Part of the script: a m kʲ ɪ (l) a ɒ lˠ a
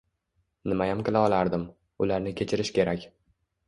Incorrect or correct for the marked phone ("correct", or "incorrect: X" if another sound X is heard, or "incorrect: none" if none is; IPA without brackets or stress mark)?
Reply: correct